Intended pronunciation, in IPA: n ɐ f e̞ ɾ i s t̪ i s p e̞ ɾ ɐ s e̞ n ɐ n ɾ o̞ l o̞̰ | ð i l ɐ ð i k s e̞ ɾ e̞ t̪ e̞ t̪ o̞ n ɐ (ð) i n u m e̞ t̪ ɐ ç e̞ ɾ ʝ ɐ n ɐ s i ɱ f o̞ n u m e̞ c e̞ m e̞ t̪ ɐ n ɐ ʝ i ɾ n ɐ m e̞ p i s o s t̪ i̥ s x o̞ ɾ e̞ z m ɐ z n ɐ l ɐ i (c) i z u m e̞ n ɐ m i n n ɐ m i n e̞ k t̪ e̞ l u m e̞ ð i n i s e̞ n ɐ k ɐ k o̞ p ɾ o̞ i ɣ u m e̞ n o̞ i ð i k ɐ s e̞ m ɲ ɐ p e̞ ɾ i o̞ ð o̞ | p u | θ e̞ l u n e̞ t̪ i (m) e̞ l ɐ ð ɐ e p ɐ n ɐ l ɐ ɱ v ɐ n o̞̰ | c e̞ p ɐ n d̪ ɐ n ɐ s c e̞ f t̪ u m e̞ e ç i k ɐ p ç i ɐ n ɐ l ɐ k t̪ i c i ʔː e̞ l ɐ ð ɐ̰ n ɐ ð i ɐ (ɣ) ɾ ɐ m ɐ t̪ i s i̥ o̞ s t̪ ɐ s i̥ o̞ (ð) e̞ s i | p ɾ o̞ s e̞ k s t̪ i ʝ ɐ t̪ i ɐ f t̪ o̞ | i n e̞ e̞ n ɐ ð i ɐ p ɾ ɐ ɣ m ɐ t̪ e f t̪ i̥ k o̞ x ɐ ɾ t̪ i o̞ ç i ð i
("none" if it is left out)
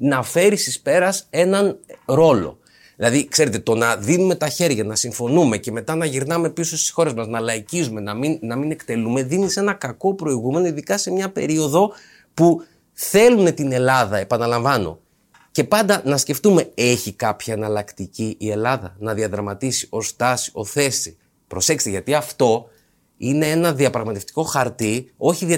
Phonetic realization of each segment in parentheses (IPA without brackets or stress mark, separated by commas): ð, c, n, ð, θ